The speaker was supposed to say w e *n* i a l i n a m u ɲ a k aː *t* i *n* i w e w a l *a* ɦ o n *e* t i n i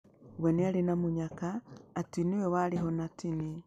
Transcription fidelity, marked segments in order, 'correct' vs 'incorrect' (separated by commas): correct, correct, correct, incorrect, incorrect